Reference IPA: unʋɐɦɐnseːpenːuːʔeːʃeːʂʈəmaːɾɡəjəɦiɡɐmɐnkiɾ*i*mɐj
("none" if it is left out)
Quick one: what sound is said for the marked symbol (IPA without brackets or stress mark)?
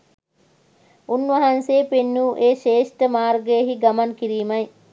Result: iː